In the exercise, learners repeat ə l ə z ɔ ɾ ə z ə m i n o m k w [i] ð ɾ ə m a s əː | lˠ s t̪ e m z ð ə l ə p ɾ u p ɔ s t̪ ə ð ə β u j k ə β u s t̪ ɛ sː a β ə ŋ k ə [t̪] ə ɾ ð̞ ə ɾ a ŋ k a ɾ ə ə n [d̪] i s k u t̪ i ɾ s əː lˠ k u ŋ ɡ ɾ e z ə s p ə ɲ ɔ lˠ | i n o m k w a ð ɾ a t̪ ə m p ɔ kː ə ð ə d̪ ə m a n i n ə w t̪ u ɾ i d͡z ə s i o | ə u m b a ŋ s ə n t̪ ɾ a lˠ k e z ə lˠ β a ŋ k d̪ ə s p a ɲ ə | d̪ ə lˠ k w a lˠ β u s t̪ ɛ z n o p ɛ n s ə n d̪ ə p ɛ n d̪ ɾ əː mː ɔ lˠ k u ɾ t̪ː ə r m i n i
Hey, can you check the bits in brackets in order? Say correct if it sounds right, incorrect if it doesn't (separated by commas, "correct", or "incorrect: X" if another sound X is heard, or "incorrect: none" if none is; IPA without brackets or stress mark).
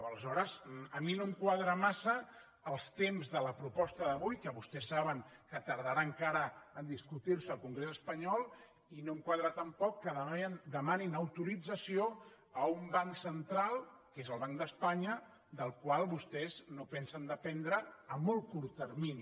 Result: incorrect: a, correct, correct